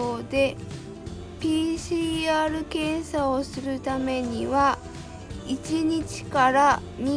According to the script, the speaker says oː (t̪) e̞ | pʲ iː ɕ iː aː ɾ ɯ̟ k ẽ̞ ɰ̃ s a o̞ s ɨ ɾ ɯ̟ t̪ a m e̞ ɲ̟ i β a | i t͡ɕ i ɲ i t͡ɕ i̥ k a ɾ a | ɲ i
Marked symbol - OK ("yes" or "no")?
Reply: no